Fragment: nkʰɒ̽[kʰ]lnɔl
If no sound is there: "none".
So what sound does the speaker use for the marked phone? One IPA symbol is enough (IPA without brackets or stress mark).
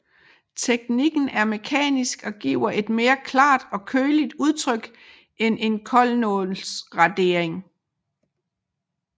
none